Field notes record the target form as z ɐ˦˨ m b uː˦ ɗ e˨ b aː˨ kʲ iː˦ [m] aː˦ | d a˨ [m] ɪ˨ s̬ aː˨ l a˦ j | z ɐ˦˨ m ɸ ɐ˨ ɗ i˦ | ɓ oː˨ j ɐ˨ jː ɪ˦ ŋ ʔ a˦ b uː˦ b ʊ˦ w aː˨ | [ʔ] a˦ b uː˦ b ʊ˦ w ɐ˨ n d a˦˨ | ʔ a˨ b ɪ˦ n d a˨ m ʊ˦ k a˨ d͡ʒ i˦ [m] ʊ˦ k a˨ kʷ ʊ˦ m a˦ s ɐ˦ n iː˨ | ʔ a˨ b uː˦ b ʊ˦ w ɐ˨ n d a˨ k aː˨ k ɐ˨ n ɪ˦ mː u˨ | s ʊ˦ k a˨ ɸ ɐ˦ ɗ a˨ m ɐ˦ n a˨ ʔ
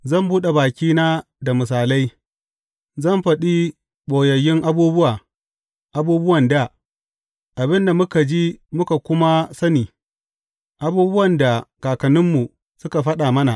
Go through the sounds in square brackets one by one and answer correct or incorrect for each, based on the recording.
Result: incorrect: n, correct, correct, correct

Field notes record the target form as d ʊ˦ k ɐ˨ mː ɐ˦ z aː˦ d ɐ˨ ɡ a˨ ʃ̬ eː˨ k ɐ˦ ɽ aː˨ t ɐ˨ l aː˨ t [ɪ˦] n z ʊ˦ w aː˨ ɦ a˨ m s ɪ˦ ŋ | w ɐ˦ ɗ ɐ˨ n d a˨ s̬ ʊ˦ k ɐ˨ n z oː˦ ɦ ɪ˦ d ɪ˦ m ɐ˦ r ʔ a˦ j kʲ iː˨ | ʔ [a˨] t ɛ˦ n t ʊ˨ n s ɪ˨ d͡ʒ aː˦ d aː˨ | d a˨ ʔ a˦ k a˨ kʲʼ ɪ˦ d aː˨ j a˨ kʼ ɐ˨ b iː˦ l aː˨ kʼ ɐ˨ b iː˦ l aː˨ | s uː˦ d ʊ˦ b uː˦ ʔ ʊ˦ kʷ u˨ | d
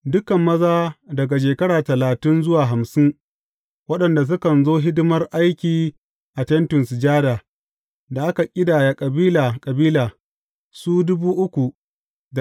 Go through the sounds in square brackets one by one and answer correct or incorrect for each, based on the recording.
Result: correct, correct

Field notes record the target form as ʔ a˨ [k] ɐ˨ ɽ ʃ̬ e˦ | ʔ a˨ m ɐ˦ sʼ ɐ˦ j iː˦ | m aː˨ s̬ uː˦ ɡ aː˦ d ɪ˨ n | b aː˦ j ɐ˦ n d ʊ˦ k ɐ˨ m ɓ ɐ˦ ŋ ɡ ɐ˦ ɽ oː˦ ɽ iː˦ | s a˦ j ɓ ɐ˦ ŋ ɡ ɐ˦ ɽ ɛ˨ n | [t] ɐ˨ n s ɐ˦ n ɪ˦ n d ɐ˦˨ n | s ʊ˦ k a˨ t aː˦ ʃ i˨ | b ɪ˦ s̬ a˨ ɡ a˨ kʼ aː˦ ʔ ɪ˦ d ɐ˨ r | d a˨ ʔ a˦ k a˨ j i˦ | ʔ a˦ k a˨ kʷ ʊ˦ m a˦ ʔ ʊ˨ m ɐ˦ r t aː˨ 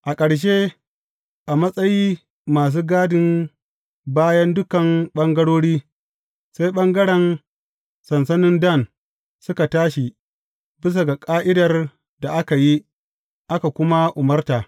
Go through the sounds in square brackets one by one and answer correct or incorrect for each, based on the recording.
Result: incorrect: kʼ, incorrect: s

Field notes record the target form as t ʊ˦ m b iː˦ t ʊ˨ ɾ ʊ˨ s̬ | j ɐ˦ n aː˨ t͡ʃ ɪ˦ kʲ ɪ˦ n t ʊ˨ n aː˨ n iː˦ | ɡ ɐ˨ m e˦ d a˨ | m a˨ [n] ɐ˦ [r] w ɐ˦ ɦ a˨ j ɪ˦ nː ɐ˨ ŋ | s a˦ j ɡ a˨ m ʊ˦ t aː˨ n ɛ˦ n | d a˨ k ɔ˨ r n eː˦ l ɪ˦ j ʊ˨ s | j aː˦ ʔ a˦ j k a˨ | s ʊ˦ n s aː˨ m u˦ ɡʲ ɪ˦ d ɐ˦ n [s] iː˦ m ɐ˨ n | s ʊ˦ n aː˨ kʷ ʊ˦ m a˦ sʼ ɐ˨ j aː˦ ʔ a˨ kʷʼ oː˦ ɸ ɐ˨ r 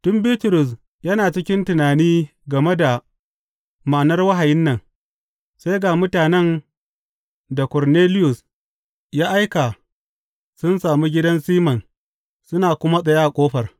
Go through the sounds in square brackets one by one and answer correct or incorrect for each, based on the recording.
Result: correct, correct, correct

